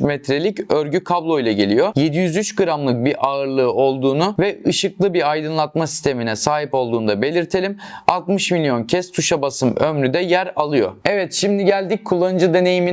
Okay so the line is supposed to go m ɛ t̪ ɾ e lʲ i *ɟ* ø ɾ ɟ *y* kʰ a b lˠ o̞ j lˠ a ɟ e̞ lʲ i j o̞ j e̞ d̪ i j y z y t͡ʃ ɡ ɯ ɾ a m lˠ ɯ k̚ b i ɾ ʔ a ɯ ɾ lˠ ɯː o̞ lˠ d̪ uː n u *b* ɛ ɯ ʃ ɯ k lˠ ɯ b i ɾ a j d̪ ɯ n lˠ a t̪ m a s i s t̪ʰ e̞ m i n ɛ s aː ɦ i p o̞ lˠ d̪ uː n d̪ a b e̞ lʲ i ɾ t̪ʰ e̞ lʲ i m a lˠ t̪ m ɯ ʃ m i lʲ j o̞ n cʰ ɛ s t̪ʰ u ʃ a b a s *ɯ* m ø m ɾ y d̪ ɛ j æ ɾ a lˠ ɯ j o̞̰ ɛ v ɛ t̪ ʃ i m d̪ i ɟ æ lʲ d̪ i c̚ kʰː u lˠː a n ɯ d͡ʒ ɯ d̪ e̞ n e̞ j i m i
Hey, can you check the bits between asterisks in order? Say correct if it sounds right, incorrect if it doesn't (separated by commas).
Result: incorrect, correct, incorrect, correct